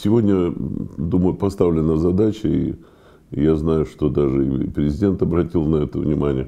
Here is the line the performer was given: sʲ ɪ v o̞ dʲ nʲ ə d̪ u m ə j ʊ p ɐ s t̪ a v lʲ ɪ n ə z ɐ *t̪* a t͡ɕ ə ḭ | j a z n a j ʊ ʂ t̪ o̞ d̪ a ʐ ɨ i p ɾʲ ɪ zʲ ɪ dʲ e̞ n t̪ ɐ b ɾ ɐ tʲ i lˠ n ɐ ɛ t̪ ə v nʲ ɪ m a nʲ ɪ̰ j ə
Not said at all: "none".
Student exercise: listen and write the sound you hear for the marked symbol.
d̪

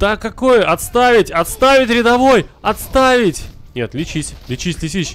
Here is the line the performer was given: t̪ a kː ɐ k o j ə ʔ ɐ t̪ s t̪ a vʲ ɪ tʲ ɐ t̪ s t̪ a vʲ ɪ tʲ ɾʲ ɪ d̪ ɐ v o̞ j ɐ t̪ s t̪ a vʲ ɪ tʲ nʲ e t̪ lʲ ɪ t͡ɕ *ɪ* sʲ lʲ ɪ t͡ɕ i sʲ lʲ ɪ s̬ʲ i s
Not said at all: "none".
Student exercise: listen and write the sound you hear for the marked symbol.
i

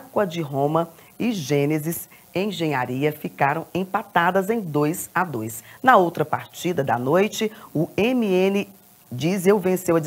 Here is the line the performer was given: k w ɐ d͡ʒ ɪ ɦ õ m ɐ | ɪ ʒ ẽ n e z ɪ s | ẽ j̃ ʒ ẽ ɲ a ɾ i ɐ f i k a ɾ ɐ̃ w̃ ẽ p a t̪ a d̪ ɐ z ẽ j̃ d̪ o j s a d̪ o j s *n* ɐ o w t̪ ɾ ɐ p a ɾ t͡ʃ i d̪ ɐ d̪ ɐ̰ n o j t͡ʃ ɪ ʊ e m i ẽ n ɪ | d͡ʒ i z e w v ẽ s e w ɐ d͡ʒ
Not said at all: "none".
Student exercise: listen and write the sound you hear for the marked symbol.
n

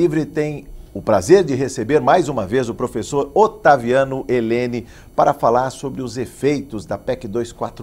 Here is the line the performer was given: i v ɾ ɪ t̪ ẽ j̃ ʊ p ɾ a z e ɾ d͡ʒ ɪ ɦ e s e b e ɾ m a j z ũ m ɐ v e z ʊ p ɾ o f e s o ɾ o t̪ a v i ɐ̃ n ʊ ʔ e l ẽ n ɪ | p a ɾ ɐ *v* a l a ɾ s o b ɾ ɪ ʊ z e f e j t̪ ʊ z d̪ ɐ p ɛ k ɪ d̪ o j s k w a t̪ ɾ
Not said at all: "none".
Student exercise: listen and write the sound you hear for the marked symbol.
f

